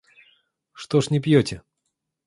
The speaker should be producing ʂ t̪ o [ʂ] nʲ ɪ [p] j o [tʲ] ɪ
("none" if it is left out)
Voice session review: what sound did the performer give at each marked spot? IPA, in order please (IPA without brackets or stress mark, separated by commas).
ʂ, p, tʲ